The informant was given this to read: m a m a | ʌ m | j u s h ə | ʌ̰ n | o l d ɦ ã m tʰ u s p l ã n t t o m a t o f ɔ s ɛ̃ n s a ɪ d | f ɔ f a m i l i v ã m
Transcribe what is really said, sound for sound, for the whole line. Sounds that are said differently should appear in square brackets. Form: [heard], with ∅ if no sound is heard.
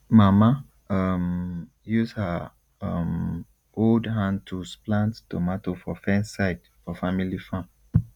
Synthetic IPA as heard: m a m a | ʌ m | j u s h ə | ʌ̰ [m] | o l d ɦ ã [n] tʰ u s p l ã n t t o m a t o f ɔ [f] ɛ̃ n s a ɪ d | f ɔ f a m i l i [f] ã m